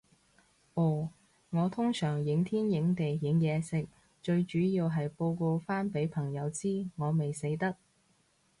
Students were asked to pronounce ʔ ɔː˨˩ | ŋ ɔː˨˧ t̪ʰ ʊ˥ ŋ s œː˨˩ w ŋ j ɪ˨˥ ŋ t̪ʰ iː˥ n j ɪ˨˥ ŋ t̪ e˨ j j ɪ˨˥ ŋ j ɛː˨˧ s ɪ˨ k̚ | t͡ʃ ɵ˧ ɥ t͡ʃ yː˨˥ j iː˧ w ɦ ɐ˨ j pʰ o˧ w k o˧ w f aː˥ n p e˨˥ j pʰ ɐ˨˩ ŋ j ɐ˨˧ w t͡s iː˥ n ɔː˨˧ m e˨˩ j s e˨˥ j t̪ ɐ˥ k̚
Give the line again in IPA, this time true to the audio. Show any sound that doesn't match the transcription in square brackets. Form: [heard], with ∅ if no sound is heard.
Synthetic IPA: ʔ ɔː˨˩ | ŋ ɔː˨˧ t̪ʰ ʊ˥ ŋ s œː˨˩ [∅] ŋ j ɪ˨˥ ŋ t̪ʰ iː˥ n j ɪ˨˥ ŋ t̪ e˨ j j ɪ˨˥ ŋ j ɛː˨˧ s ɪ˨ k̚ | t͡ʃ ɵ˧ ɥ t͡ʃ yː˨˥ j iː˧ w ɦ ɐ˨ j [p] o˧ w k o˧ w f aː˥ n p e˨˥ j pʰ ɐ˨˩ ŋ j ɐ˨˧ w t͡s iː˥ [ŋ] ɔː˨˧ m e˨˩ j s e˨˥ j t̪ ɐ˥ k̚